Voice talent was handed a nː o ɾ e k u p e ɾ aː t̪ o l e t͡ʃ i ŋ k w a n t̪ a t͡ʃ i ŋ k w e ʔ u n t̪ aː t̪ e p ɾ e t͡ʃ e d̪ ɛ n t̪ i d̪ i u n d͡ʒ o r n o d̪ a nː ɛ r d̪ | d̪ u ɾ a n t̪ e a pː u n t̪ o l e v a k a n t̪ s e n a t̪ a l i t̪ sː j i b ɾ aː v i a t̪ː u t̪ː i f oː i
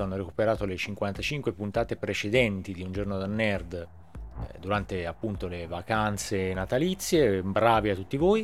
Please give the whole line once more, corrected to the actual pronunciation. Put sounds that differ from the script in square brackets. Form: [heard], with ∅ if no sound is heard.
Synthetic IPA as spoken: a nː o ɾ e k u p e ɾ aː t̪ o l e t͡ʃ i ŋ k w a n t̪ a t͡ʃ i ŋ k w e [p] u n t̪ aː t̪ e p ɾ e t͡ʃ e d̪ ɛ n t̪ i d̪ i u n d͡ʒ o r n o d̪ a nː ɛ r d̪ | d̪ u ɾ a n t̪ e a pː u n t̪ o l e v a k a n t̪ s e n a t̪ a l i t̪ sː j [e] b ɾ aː v i a t̪ː u t̪ː i [v] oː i